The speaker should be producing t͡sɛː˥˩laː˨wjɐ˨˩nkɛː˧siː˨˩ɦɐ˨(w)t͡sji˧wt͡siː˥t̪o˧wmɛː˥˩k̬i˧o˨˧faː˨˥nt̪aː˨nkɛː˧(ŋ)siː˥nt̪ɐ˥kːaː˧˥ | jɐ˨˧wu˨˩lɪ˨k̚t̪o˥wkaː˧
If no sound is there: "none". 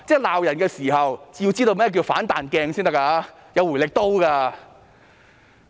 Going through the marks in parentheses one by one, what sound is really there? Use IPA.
w, ŋ

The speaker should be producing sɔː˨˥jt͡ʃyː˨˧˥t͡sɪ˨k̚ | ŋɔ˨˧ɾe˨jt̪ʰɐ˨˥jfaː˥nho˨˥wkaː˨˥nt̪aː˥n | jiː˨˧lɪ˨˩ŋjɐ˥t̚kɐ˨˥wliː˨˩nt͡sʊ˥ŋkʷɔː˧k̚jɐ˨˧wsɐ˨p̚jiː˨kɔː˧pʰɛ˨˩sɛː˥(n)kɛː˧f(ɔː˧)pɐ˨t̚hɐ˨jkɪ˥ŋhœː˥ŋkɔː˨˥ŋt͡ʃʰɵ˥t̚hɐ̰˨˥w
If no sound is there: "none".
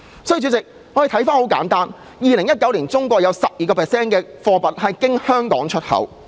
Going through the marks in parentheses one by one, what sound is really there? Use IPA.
n, ɔː˧

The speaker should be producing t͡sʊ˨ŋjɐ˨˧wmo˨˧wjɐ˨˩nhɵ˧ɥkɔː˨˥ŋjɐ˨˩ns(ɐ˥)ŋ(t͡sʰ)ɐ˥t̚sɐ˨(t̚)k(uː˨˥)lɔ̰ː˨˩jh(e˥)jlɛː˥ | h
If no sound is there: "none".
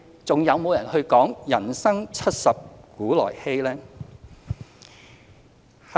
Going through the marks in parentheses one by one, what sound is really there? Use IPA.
ɐ˥, t͡sʰ, p̚, uː˨˥, e˥

